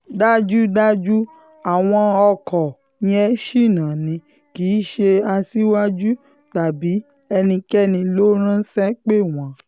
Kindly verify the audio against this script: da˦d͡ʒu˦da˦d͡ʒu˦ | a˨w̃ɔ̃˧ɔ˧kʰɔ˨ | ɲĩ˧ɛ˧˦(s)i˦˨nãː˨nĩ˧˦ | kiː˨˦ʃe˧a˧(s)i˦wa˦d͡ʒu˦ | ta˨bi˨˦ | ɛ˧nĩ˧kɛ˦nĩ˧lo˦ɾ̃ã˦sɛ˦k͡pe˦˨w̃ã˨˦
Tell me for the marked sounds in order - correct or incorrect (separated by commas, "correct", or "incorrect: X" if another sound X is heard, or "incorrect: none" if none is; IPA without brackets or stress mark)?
incorrect: ʃ, correct